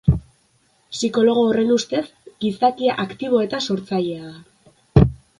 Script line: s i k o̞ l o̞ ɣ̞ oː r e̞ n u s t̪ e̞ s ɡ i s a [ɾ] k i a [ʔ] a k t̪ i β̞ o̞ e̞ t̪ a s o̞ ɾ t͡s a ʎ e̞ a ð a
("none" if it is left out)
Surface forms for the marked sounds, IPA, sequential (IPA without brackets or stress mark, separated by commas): none, ʔ